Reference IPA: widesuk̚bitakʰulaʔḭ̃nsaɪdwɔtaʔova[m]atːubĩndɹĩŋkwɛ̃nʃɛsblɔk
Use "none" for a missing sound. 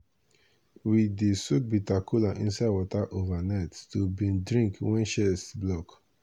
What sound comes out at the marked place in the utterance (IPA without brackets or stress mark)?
n